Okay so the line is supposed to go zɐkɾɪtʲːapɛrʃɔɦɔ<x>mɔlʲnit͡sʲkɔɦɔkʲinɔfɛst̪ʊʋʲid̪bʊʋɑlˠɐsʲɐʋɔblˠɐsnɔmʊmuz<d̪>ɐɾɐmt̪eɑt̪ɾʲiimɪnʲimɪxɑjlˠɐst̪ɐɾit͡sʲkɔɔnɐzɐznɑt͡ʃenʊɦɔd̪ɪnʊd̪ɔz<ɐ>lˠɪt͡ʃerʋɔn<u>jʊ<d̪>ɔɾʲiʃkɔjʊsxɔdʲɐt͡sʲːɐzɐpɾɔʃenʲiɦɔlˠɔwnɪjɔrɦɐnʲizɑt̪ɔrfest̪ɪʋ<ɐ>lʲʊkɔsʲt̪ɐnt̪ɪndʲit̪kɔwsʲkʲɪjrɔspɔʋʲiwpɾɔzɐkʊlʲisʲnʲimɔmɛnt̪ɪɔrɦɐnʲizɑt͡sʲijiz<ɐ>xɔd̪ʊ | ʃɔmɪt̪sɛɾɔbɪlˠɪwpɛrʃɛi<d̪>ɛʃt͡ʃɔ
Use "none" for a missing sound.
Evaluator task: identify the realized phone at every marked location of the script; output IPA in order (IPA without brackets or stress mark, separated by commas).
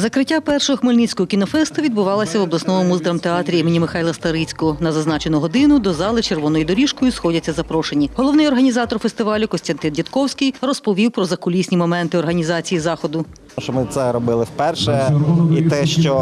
x, d̪, ɑ, ɔ, d̪, ɑ, ɑ, t̪